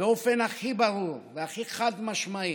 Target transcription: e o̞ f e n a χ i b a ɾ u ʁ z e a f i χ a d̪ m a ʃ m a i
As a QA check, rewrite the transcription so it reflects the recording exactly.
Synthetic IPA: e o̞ f e n a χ i b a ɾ u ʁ v e a χ i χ a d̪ m a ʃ m a i